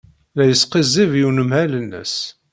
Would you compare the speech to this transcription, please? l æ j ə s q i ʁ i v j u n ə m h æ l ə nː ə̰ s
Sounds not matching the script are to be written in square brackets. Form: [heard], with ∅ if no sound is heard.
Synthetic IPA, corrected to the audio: l æ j ə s q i [z] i v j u n ə m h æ l ə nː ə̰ s